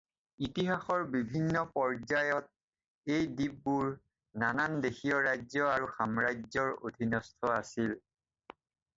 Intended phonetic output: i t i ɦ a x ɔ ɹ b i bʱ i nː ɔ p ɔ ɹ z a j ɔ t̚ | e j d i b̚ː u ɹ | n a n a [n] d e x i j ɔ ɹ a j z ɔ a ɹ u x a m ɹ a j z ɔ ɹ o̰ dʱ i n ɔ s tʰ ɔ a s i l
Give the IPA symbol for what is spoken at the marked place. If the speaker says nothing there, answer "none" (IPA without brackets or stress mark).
n